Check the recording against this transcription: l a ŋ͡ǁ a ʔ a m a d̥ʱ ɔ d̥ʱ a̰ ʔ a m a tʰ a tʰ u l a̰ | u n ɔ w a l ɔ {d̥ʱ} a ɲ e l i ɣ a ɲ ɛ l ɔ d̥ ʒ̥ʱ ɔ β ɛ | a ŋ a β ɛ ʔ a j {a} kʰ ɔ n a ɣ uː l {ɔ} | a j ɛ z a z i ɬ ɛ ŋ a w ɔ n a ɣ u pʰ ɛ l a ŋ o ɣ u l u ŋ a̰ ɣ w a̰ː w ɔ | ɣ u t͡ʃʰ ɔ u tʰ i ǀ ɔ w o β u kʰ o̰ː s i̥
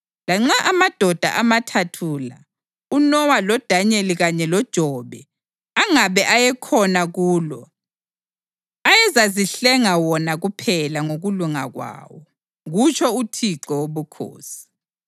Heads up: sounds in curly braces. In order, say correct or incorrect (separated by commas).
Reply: correct, incorrect, correct